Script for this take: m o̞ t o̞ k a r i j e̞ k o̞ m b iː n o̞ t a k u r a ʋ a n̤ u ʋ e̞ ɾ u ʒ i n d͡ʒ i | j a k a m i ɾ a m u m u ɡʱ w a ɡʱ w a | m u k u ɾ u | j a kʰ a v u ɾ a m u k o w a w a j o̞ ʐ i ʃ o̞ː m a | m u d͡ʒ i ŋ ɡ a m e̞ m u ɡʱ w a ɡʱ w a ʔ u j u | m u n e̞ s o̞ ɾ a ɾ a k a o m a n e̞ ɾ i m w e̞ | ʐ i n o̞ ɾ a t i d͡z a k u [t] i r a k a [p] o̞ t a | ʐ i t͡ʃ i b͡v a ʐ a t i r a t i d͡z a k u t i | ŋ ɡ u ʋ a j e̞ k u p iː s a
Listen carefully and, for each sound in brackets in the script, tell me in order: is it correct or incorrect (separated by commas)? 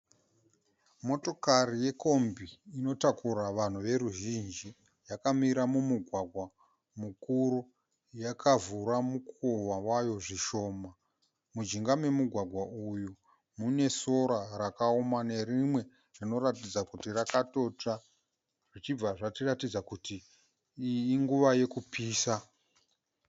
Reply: correct, incorrect